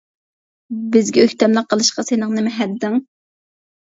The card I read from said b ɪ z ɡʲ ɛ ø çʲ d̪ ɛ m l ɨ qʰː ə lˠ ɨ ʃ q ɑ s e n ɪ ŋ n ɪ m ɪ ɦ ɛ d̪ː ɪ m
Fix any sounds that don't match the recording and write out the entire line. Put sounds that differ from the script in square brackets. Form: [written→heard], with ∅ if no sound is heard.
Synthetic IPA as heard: b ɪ z ɡʲ ɛ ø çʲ [d̪→t̪] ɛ m l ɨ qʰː ə lˠ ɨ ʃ q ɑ s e n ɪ ŋ n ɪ m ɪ ɦ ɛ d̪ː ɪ [m→ŋ]